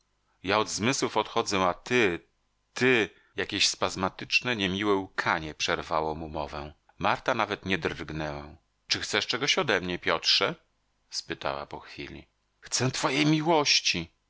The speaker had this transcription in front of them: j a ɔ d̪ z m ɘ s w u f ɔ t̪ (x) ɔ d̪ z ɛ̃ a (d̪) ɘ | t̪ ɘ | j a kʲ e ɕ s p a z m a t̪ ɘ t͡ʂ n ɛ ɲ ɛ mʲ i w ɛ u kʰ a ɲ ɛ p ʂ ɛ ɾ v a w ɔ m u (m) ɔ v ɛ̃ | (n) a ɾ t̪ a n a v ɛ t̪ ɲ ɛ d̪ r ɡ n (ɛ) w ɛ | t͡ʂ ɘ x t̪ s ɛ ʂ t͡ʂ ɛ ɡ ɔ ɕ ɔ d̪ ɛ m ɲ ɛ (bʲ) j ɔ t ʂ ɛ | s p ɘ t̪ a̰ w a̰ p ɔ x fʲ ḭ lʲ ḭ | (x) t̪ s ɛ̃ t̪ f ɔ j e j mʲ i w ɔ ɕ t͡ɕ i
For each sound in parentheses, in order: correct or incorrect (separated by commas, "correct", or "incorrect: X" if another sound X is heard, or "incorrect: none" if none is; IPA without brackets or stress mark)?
correct, incorrect: t̪, correct, incorrect: m, correct, incorrect: pʲ, correct